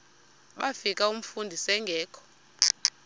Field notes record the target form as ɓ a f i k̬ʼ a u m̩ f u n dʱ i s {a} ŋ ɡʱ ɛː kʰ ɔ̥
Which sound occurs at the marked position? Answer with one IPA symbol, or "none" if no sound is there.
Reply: ɛ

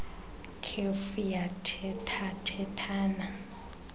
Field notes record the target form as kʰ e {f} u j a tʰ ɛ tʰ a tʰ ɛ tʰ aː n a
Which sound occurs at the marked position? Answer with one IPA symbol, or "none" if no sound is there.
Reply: f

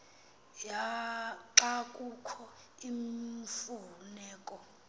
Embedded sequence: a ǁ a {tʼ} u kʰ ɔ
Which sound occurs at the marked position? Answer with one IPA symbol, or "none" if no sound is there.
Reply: kʼ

